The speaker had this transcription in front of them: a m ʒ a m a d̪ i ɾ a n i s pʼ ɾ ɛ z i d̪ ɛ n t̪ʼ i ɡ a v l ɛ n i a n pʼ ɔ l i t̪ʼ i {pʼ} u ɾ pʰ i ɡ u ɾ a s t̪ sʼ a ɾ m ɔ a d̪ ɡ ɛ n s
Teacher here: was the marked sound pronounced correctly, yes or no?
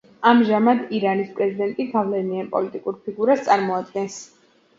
no